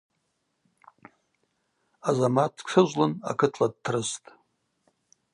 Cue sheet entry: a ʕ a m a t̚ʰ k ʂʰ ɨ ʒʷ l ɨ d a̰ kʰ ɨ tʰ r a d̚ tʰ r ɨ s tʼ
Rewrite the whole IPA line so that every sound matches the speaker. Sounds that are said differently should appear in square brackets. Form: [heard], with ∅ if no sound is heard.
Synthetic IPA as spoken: a [z] a m a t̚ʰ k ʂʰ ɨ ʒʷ l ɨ [n] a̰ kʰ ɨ tʰ [l] a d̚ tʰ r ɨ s tʼ